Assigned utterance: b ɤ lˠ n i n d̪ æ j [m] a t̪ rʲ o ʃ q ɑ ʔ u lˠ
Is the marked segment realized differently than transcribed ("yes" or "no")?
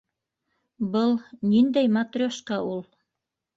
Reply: no